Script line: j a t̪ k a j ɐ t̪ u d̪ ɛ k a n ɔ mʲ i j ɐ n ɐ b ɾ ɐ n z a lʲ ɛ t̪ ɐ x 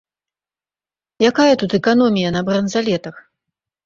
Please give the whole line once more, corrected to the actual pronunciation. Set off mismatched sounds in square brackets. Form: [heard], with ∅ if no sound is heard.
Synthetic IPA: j a [∅] k a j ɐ t̪ u [t̪] ɛ k a n ɔ mʲ i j ɐ n ɐ b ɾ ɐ n z a lʲ ɛ t̪ ɐ x